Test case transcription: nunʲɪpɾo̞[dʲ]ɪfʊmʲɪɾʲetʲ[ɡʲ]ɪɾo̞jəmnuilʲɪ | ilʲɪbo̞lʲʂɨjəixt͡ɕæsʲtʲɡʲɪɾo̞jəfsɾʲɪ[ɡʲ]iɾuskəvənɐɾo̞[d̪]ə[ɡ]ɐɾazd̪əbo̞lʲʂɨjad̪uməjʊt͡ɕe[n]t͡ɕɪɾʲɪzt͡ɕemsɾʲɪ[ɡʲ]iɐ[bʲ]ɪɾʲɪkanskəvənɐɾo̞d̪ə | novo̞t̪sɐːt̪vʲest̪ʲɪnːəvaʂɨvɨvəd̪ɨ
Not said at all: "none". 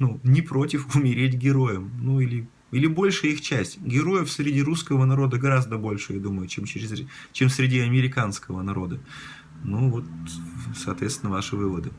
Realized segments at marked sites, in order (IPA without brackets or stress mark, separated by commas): tʲ, ɡʲ, dʲ, d̪, ɡ, m, dʲ, mʲ